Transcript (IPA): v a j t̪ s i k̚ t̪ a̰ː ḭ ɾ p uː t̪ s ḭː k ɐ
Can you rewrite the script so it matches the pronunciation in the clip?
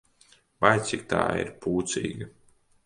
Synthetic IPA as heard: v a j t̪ s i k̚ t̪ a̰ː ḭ ɾ p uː t̪ s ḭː ɡ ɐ